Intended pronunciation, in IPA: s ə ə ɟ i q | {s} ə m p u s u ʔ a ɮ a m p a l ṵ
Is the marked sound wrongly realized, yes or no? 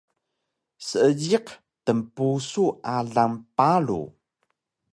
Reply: yes